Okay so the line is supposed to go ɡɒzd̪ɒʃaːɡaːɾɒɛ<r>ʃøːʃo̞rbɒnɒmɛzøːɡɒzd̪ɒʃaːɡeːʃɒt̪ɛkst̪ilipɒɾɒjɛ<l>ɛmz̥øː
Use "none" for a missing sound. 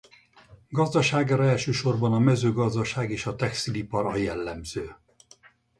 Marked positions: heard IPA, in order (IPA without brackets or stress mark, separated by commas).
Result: l, lː